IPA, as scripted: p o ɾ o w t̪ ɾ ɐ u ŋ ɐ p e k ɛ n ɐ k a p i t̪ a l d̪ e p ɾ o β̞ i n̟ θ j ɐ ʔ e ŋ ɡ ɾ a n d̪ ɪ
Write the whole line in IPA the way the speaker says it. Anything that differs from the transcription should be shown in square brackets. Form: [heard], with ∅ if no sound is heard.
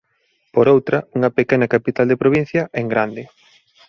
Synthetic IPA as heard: p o ɾ o w t̪ ɾ ɐ u ŋ ɐ p e k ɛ n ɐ k a p i t̪ a l d̪ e p ɾ o β̞ i n̟ θ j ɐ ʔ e ŋ ɡ ɾ a n d̪ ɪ